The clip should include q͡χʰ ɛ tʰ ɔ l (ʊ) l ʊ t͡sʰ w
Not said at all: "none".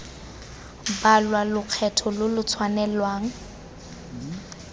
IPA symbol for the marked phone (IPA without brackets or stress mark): ʊ